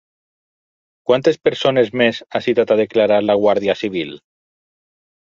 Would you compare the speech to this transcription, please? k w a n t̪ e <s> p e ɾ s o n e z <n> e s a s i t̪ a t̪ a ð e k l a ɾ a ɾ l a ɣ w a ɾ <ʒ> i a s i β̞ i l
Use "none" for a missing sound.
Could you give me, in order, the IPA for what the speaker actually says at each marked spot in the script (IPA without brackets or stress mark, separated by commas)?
s, m, ð